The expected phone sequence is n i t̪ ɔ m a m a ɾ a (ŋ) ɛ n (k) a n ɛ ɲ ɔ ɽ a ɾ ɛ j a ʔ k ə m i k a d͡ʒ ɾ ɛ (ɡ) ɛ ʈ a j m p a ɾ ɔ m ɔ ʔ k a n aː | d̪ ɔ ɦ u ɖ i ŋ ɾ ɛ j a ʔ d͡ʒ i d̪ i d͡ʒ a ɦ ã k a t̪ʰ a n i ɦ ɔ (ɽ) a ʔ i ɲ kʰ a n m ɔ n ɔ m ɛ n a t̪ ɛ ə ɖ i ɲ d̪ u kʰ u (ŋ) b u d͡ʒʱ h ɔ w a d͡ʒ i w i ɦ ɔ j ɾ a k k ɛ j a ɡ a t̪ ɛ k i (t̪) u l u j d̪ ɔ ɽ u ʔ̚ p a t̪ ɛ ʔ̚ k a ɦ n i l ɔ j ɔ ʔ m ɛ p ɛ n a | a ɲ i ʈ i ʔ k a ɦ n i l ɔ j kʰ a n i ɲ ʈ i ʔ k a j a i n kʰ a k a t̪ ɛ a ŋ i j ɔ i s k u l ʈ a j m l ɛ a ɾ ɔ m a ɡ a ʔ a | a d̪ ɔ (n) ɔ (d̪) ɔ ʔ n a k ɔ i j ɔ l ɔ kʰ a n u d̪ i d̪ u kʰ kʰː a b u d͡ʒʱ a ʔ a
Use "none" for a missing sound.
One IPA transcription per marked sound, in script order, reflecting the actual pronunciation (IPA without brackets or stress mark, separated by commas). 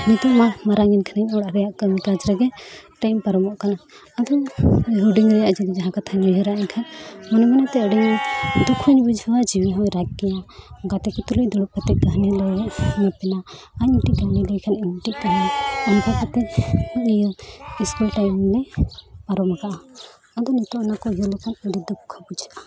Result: ŋ, kʰ, ɡ, ɾ, ɲ, t̪, n, t̪